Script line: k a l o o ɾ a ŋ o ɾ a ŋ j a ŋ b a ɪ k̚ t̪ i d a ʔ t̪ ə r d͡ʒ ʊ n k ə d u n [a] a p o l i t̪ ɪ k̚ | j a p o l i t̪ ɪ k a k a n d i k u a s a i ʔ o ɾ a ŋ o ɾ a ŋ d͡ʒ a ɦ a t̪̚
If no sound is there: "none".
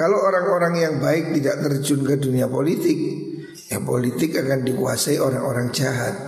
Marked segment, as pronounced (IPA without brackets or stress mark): i